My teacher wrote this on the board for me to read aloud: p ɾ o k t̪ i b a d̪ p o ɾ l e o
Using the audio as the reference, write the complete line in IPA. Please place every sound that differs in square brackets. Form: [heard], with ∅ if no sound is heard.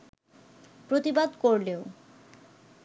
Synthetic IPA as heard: p ɾ o [∅] t̪ i b a d̪ [k] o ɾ l e o